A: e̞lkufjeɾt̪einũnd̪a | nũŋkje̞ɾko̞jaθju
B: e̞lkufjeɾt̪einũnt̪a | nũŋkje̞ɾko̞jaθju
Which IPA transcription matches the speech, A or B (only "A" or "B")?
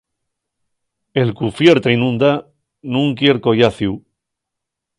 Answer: A